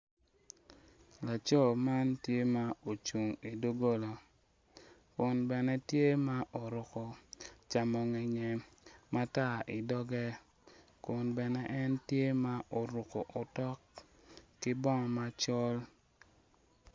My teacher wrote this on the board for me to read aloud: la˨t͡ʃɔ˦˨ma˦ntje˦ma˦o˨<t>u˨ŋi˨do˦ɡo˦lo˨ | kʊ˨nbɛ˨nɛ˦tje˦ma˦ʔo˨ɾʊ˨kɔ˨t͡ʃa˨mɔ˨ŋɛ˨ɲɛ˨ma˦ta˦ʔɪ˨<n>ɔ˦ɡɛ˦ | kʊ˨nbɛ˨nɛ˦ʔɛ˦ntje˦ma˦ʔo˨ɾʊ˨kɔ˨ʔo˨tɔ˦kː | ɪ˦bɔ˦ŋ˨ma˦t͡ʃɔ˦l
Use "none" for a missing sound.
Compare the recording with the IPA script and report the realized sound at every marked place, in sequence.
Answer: t͡ʃ, d

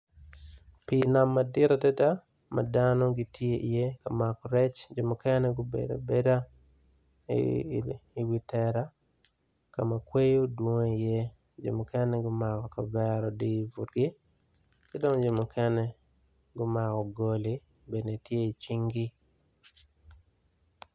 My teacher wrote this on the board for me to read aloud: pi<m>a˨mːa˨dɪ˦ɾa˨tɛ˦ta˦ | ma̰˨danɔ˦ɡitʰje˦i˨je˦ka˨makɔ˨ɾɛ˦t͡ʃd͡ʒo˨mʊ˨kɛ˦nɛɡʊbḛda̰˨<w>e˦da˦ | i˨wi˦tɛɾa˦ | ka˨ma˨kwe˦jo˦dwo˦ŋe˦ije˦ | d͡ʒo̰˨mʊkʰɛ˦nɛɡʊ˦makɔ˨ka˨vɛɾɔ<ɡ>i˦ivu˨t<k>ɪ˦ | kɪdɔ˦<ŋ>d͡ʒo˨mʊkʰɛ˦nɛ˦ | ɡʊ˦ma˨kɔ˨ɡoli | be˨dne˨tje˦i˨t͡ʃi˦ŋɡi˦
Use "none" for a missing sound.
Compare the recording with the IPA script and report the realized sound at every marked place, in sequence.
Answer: n, b, d, ɡ, ŋ

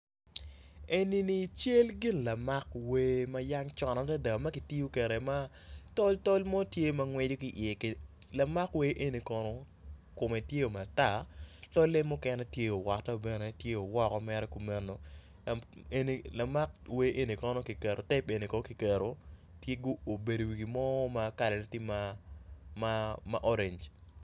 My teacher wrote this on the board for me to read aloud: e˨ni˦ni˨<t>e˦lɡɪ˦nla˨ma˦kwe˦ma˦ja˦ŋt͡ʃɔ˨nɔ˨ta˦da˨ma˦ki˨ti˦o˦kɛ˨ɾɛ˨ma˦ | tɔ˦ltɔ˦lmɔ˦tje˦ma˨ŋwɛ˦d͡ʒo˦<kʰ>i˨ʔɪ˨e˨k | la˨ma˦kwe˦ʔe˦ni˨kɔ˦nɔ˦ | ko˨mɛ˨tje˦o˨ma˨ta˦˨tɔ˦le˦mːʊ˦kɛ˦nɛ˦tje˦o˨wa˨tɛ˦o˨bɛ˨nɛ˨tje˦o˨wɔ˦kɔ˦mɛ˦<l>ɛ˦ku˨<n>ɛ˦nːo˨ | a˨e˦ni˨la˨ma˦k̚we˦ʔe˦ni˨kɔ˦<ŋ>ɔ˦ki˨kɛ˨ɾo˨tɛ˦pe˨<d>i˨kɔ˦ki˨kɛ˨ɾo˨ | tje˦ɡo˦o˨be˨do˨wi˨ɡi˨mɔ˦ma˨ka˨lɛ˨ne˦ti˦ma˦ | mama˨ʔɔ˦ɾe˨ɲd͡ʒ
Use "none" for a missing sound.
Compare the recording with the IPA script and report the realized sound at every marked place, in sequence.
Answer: t͡ʃ, k, ɾ, m, n, n

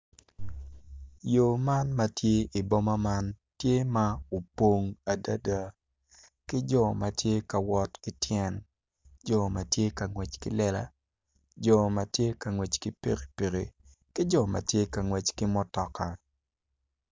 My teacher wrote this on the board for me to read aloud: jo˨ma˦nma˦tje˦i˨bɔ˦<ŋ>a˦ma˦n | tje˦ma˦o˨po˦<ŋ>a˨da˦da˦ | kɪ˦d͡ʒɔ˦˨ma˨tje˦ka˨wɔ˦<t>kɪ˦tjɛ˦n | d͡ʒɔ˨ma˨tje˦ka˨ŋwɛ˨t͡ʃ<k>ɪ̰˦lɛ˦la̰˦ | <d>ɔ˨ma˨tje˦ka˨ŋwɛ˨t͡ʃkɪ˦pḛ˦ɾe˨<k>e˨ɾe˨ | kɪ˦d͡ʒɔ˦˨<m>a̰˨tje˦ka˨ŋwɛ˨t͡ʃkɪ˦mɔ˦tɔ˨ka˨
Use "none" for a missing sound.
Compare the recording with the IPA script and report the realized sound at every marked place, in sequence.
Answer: m, ŋ, t, k, d͡ʒ, p, m

